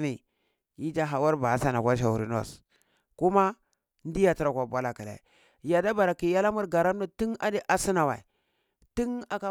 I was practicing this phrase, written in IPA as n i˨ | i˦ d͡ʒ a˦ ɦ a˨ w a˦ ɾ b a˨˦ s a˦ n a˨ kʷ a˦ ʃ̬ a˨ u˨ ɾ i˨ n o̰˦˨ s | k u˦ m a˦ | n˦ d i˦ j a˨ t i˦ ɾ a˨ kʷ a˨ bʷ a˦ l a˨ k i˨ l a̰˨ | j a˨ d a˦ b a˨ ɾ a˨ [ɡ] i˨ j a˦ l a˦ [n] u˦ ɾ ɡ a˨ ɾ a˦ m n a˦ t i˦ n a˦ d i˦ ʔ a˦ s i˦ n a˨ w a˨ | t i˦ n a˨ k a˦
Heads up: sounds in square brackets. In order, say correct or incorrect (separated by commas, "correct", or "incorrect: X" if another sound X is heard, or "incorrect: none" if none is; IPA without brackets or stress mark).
incorrect: k, incorrect: m